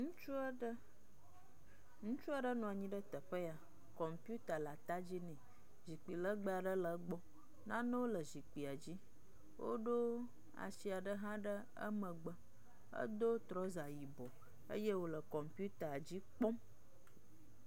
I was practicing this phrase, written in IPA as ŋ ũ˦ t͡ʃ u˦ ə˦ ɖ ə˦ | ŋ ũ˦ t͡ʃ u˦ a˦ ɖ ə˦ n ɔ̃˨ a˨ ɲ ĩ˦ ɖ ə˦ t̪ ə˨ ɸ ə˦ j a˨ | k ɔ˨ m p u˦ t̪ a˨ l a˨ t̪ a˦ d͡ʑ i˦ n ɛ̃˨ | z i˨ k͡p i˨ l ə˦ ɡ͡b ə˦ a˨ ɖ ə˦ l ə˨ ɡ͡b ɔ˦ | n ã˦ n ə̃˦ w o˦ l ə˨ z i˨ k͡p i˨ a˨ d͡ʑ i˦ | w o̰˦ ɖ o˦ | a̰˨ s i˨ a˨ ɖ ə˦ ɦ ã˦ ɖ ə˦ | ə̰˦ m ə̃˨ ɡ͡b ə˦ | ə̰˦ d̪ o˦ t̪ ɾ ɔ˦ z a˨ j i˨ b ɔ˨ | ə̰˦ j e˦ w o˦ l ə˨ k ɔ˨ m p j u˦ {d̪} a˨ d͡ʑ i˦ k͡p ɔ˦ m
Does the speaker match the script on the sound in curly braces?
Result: no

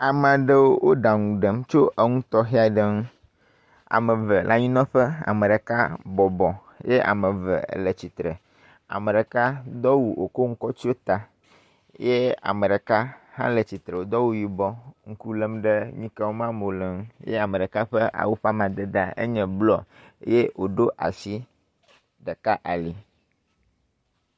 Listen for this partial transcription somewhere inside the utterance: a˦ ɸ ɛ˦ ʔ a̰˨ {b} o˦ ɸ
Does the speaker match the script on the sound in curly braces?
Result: no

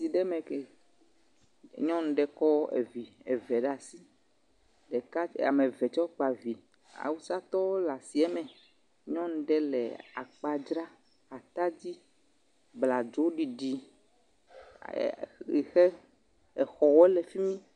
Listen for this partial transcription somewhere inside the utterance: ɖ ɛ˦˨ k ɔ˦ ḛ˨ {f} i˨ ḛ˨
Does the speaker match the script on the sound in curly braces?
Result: no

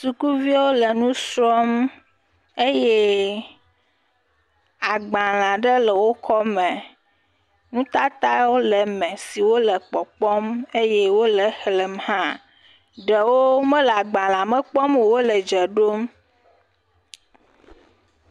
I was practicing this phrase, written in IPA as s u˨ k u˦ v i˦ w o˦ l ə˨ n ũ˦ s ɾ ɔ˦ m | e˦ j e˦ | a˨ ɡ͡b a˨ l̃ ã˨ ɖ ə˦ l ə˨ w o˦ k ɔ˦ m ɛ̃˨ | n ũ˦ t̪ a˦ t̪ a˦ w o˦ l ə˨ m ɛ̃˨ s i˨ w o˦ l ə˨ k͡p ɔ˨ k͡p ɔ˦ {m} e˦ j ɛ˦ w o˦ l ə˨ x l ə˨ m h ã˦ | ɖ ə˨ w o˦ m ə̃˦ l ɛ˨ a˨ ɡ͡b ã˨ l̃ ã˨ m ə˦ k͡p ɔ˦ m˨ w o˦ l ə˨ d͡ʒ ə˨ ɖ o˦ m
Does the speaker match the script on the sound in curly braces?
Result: yes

